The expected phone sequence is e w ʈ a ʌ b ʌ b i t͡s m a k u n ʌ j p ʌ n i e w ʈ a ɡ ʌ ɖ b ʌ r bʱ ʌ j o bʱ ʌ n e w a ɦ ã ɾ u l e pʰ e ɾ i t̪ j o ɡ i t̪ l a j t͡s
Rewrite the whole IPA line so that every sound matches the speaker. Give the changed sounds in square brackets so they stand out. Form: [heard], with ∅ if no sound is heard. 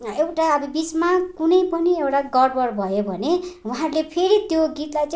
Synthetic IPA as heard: e w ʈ a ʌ b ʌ b i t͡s m a k u n ʌ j p ʌ n i e w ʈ a ɡ ʌ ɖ b ʌ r bʱ ʌ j o bʱ ʌ n e w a ɦ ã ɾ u l e pʰ e ɾ i t̪ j o ɡ i t̪ l a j t͡s